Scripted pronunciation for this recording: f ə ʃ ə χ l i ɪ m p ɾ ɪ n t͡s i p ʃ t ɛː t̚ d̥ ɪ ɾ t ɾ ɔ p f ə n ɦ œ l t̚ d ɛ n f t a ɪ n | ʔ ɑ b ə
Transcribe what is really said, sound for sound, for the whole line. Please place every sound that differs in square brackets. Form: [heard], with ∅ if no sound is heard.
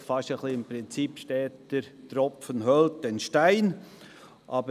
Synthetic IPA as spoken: f [ɑ] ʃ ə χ l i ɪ m p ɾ ɪ n t͡s i p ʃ t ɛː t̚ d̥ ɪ ɾ t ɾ ɔ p f ə n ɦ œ l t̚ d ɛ n [ʃ] t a ɪ n | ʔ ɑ b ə